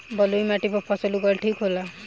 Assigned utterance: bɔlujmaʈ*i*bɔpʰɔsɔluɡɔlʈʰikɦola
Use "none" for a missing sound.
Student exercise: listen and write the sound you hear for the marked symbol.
i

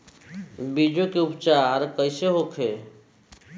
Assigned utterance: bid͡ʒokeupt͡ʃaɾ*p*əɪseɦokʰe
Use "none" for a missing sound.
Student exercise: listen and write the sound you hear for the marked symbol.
k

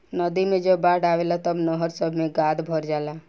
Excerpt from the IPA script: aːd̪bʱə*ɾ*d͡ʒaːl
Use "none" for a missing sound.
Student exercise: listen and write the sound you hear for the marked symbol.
ɾ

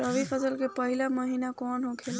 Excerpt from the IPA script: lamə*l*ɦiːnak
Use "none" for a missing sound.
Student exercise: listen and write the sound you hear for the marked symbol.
none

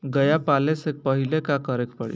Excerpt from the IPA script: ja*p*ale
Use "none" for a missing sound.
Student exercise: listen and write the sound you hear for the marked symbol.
p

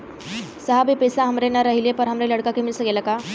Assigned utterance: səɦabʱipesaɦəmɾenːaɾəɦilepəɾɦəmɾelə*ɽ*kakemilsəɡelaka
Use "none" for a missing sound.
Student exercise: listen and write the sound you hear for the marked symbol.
ɽ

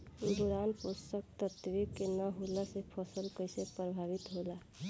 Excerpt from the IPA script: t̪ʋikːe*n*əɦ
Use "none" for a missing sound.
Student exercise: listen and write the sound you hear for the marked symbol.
n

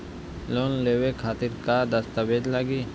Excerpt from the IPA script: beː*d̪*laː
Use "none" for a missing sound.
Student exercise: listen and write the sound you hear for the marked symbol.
d̪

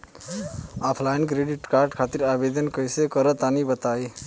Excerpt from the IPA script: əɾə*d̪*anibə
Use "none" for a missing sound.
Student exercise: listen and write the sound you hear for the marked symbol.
t̪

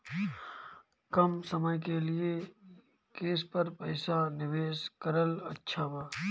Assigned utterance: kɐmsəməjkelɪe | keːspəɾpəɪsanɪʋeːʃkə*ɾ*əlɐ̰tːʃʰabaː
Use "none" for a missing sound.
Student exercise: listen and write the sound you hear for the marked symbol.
ɾ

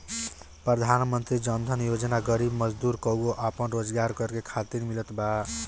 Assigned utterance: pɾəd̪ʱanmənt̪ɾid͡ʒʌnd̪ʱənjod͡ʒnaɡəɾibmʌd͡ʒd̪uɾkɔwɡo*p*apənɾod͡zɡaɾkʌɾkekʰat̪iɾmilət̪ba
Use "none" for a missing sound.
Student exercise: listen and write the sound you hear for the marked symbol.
ʔ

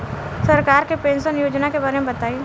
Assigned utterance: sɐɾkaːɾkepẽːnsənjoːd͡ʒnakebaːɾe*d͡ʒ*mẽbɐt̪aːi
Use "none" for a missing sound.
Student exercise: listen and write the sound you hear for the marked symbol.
none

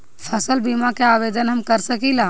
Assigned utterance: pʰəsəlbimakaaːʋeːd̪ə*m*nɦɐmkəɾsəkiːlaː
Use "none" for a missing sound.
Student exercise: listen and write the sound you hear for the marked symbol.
none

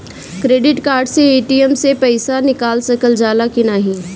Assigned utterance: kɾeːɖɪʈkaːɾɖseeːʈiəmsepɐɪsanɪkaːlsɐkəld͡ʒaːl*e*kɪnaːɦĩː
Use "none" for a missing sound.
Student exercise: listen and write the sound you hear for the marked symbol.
a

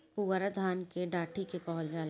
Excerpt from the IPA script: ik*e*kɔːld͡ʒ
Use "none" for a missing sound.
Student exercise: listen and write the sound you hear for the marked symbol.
e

